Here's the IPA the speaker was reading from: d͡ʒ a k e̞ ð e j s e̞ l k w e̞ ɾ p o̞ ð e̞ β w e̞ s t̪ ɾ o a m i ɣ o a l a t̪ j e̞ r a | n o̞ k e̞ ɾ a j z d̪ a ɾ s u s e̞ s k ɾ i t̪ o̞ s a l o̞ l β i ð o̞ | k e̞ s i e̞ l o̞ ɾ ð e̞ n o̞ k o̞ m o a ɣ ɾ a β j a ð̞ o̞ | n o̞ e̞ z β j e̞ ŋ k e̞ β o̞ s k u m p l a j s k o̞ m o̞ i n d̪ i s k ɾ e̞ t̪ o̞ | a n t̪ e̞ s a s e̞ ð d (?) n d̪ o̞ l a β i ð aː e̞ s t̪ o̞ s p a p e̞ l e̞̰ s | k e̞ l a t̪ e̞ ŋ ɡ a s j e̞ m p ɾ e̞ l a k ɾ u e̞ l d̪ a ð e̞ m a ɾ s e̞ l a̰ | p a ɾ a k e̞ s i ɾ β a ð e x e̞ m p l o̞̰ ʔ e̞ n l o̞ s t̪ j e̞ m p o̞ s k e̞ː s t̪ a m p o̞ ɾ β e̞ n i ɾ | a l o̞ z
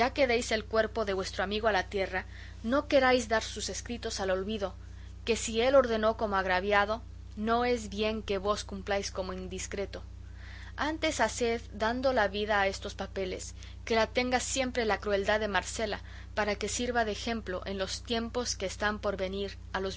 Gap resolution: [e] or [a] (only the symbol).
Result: a